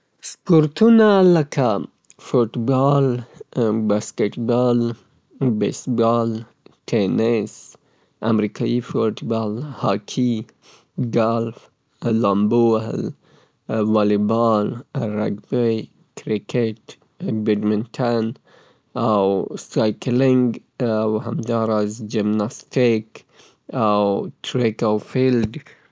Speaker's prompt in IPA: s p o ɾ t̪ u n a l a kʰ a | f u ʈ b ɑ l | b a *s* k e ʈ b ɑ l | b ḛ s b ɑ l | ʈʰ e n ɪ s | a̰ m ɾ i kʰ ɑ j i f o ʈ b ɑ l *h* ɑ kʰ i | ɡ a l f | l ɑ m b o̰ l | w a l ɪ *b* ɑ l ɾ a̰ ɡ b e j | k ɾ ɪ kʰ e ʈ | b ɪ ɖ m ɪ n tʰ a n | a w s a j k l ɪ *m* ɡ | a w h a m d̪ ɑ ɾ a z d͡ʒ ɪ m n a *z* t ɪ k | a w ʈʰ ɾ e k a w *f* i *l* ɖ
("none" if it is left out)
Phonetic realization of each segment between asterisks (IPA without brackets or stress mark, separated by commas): s, h, b, ŋ, s, f, l